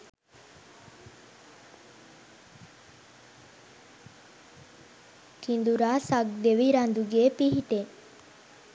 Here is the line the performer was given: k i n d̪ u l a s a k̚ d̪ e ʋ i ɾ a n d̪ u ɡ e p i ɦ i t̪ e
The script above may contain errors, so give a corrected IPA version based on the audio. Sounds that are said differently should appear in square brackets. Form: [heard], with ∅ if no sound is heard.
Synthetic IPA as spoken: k i n d̪ u [ɾ] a s a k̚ d̪ e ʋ i ɾ a n d̪ u ɡ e p i ɦ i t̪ e

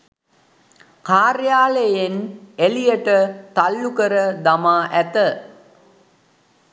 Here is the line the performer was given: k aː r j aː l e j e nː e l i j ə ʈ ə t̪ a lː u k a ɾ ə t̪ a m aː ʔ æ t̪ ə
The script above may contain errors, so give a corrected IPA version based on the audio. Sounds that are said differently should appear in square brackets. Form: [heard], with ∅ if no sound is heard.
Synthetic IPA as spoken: k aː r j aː l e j e [n] e l i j ə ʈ ə t̪ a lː u k [ə] ɾ ə [d̪] a m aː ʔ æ t̪ ə

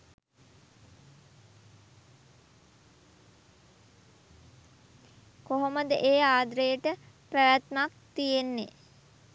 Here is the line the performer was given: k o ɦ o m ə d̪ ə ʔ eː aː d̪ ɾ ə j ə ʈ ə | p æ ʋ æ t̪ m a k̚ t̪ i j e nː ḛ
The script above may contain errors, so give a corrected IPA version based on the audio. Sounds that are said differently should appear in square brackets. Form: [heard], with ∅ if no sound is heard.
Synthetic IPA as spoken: k o ɦ o m ə d̪ ə ʔ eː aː d̪ ɾ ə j ə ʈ ə | p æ ʋ æ t̪ m a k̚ t̪ i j e nː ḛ

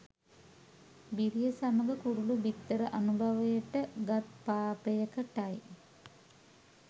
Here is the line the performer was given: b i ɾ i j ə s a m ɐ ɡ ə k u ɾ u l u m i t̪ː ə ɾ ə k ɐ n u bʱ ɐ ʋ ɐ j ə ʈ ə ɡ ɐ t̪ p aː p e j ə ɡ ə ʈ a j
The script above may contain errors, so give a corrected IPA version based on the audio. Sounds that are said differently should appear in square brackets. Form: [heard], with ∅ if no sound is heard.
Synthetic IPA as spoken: b i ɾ i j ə s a m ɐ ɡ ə k u ɾ u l u [b] i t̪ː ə ɾ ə [ʔ] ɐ n u bʱ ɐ ʋ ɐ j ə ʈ ə ɡ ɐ t̪ p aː p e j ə [k] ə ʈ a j

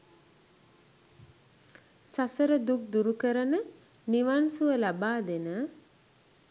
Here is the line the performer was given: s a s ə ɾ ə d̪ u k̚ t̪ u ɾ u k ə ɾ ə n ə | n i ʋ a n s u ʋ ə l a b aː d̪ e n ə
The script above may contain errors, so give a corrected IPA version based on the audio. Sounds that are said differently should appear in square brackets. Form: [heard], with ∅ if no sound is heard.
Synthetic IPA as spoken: s a s ə ɾ ə d̪ u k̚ [d̪] u ɾ u k ə ɾ ə n ə | n i ʋ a n s u ʋ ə l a b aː d̪ e n ə

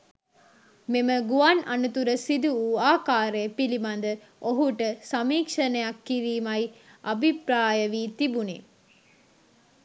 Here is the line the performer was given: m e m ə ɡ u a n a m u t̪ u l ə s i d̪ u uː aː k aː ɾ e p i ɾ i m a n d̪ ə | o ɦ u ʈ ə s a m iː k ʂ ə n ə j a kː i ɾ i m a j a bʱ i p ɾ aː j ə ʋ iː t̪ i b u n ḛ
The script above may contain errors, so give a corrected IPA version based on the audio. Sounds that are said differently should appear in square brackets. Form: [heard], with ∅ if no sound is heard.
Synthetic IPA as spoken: m e m ə ɡ u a n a [n] u t̪ u [ɾ] ə s i d̪ u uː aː k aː ɾ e p i [l] i m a n d̪ ə | o ɦ u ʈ ə s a m iː k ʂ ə n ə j a kː i ɾ [iː] m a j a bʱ i p ɾ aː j ə ʋ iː t̪ i b u n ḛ

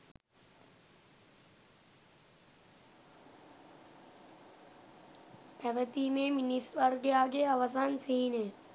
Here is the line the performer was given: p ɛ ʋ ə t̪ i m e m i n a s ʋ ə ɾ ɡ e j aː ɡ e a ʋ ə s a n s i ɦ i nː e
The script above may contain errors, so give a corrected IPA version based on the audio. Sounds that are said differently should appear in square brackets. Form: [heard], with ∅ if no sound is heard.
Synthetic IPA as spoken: p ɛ ʋ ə t̪ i m e m i n [i] s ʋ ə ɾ ɡ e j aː ɡ e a ʋ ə s a n s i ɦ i [n] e

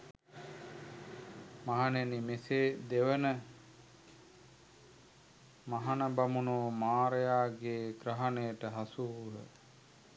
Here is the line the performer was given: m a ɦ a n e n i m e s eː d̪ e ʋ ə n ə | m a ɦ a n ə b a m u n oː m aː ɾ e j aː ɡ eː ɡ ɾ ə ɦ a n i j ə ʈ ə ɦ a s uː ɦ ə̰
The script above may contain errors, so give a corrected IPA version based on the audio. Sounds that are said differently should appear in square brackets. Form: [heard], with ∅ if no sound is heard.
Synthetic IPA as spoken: m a ɦ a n e n i m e s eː d̪ e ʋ ə n ə | m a ɦ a n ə b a m u n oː m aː ɾ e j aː ɡ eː ɡ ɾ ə ɦ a n [e] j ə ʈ ə ɦ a s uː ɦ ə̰

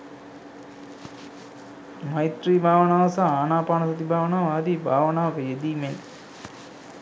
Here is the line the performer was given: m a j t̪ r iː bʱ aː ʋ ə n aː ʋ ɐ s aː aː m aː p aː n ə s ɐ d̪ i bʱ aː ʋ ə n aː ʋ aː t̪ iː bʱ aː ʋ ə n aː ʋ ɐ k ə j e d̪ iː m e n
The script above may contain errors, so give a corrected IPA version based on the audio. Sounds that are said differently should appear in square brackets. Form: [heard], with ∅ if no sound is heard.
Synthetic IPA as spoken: m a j t̪ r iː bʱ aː ʋ ə n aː ʋ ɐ s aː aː [n] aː p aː n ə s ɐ [t̪] i bʱ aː ʋ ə n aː ʋ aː [d̪] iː bʱ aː ʋ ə n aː ʋ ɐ k ə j e d̪ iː m e n

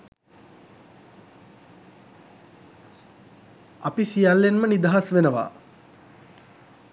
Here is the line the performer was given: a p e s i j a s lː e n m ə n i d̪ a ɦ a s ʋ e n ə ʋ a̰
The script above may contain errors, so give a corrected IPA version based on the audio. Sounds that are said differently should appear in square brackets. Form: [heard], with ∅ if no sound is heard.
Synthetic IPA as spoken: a p [i] s i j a [∅] lː e n m ə n i d̪ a ɦ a s ʋ e n ə ʋ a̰

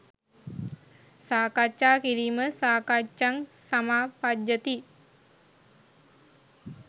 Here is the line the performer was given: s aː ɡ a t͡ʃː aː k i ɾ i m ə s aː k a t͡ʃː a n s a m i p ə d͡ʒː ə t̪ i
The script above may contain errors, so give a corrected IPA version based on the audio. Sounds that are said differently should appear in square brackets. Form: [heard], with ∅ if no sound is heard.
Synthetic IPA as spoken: s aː [k] a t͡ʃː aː k i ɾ i m ə s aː k a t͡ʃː a [ŋ] s a m [a] p [a] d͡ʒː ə t̪ i

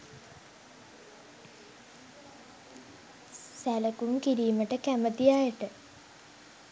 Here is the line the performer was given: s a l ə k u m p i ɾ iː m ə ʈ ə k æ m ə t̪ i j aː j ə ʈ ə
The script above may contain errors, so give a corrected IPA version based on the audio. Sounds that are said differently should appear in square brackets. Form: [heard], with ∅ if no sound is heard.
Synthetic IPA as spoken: s [æ] l ə k u m [k] i ɾ iː m ə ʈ ə k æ m ə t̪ i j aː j ə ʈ ə

